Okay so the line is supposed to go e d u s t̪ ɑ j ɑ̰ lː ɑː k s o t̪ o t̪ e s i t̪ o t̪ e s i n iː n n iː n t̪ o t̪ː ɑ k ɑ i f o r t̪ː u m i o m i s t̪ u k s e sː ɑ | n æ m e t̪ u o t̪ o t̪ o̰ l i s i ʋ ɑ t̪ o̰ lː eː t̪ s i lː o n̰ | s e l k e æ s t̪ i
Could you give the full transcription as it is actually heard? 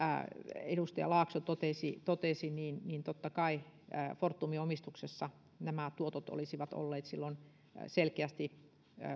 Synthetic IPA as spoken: e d u s t̪ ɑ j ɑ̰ l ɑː k s o t̪ o t̪ e s i t̪ o t̪ e s i n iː n n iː n t̪ o t̪ː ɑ k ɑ i f o r t̪ː u m i o m i s t̪ u k s e sː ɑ | n æ m æ t̪ u o t̪ o t̪ o̰ l i s i ʋ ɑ t̪ o̰ lː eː t̪ s i lː o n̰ | s e l k e æ s t̪ i